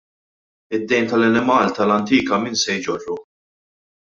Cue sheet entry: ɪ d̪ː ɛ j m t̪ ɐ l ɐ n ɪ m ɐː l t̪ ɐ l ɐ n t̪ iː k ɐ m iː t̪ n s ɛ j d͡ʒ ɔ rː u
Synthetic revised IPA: ɪ d̪ː ɛ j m t̪ ɐ l ɐ n ɪ m ɐː l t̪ ɐ l ɐ n t̪ iː k ɐ m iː n s ɛ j d͡ʒ ɔ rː u

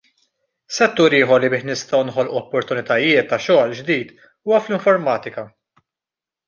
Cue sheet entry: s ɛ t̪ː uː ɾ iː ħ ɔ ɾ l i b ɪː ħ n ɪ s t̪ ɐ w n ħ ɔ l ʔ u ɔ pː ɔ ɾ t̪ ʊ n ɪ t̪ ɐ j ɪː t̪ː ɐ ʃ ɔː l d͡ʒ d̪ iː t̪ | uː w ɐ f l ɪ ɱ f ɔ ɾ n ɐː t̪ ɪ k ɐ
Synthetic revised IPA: s ɛ t̪ː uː ɾ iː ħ ɔ ɾ l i b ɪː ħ n ɪ s t̪ ɐ w n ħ ɔ l ʔ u ɔ pː ɔ ɾ t̪ ʊ n ɪ t̪ ɐ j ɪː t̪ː ɐ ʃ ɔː l d͡ʒ d̪ iː t̪ | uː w ɐ f l ɪ ɱ f ɔ ɾ m ɐː t̪ ɪ k ɐ

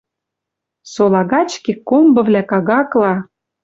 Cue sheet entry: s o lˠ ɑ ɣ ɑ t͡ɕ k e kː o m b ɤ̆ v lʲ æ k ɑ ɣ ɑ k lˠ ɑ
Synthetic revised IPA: s o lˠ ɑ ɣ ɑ t͡ɕ k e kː o m b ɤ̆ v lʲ æ k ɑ ɣ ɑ k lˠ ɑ

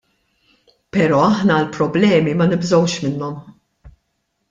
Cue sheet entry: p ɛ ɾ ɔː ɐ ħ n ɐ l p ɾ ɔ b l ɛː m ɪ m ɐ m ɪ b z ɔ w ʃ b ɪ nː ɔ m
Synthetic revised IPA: p ɛ ɾ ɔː ɐ ħ n ɐ l p ɾ ɔ b l ɛː m i m ɐ n ɪ b z ɔ w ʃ m ɪ nː ɔ m

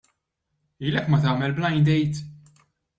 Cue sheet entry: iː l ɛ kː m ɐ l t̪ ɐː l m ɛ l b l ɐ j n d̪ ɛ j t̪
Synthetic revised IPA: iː l ɛ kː m ɐ t̪ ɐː m ɛ l b l ɐ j n d̪ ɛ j t̪

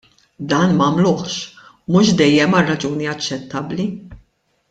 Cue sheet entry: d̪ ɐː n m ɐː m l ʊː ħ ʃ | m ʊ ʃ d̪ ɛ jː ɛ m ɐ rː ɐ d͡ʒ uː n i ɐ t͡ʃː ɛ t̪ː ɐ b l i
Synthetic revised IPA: d̪ ɐː n m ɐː m l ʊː ħ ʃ | m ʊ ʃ d̪ ɛ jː ɛ m ɐ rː ɐ d͡ʒ uː n i ɐ t͡ʃː ɛ t̪ː ɐ b l i

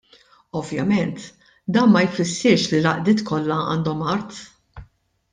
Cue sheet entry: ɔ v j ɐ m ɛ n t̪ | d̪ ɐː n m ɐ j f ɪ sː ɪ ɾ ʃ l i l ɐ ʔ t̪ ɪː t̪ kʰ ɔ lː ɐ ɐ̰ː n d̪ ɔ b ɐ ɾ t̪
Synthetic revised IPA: ɔ v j ɐ m ɛ n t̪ | d̪ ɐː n m ɐ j f ɪ sː ɪ ɾ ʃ l i l ɐ ʔ d̪ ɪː t̪ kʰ ɔ lː ɐ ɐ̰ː n d̪ ɔ m ɐ ɾ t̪

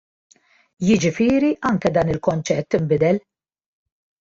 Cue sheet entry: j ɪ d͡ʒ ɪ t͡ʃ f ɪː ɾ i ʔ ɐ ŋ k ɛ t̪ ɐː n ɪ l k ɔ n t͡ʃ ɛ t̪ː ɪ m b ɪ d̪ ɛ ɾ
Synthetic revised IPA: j ɪ d͡ʒ ɪ f ɪː ɾ i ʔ ɐ ŋ k ɛ d̪ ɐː n ɪ l k ɔ n t͡ʃ ɛ t̪ː ɪ m b ɪ d̪ ɛ l

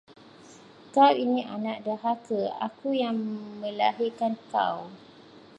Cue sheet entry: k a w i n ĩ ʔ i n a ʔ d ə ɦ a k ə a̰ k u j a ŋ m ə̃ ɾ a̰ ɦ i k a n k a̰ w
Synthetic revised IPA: k a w i n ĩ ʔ a n a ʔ d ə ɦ a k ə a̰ k u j a ŋ m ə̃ l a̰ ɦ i k a n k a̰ w

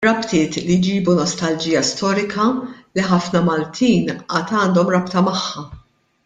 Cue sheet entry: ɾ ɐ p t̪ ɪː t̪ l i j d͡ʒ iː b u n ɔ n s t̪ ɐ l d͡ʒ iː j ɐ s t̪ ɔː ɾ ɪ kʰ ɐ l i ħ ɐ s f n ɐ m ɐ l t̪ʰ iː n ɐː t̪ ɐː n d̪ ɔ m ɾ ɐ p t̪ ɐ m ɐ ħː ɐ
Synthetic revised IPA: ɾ ɐ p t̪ ɪː t̪ l i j d͡ʒ iː b u n ɔ s t̪ ɐ l d͡ʒ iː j ɐ s t̪ ɔː ɾ ɪ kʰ ɐ l i ħ ɐ f n ɐ m ɐ l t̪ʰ iː n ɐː t̪ ɐː n d̪ ɔ m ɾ ɐ p t̪ ɐ m ɐ ħː ɐ

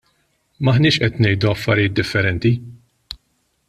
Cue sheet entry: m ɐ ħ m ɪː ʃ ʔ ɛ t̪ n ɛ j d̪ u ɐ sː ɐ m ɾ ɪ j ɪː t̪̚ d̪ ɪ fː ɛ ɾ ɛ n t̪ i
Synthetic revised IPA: m ɐ ħ n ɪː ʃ ʔ ɛ t̪ n ɛ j d̪ u ɐ fː ɐ ɾ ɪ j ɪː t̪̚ d̪ ɪ fː ɛ ɾ ɛ n t̪ i

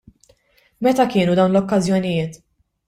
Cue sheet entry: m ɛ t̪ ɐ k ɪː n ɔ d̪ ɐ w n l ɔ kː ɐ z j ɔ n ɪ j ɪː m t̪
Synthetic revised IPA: m ɛ t̪ ɐ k ɪː n u d̪ ɐ w n l ɔ kː ɐ z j ɔ n ɪ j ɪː t̪

